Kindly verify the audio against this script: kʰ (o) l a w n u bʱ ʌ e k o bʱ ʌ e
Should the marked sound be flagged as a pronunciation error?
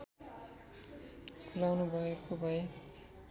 yes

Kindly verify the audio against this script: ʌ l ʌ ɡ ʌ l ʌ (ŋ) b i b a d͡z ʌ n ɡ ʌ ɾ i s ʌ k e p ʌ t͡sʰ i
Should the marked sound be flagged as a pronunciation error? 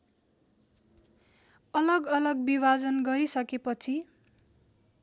yes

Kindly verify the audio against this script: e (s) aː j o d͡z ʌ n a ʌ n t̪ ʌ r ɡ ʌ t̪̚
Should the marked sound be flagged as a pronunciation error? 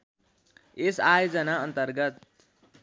no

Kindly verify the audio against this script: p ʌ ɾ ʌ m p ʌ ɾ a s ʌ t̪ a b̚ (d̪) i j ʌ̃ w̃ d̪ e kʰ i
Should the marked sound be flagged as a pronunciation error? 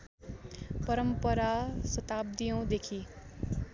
no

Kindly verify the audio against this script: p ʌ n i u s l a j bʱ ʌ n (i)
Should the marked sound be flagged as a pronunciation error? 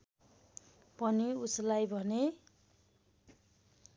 yes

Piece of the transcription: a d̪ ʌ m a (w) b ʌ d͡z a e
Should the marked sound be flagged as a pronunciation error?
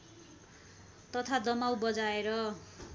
no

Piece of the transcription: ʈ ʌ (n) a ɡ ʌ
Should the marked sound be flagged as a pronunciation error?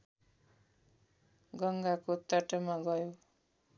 yes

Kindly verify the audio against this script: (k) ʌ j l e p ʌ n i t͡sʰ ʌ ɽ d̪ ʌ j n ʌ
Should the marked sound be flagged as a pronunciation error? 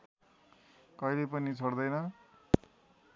no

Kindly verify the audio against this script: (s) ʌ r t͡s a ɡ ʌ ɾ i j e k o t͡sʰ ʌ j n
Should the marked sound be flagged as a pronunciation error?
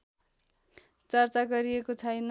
yes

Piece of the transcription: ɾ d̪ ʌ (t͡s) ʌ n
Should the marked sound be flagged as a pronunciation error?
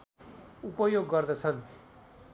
yes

